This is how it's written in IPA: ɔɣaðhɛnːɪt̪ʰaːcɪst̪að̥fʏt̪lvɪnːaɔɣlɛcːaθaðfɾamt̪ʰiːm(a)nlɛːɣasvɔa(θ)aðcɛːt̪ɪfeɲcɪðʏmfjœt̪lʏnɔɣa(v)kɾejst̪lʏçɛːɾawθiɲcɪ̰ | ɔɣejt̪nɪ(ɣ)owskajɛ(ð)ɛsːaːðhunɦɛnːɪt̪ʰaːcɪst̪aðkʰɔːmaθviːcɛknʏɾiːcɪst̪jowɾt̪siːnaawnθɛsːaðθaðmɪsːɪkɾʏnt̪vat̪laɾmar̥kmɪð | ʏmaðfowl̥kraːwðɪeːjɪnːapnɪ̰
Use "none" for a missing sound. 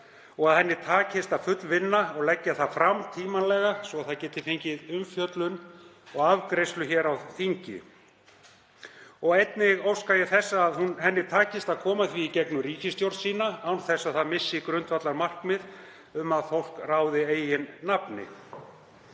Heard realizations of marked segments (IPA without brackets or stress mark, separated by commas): a, θ, v, ɣ, θ